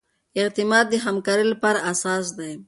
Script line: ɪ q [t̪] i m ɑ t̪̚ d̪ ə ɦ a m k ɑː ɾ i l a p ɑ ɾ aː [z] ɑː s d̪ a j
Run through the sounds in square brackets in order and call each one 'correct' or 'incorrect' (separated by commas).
correct, incorrect